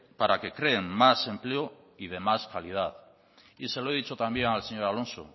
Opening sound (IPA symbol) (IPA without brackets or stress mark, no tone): p